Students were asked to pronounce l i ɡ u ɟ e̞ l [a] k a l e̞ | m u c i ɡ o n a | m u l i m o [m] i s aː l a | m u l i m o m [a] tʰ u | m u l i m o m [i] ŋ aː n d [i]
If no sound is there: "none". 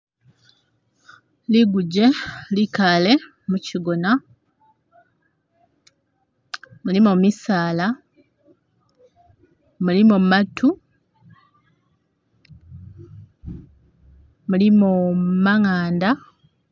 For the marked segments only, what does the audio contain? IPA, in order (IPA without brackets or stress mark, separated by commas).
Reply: i, m, a, a, a